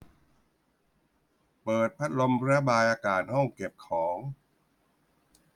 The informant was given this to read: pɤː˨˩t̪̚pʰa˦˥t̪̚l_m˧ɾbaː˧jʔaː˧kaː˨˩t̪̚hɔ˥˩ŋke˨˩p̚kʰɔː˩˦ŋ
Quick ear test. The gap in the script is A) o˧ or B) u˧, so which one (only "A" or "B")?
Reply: A